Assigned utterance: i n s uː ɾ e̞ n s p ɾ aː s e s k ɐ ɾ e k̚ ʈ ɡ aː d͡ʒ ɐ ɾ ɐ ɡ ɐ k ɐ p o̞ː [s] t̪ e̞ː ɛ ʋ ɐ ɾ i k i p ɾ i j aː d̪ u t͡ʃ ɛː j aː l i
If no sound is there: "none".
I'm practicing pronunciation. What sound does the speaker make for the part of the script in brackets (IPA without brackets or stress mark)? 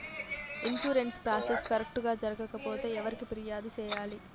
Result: none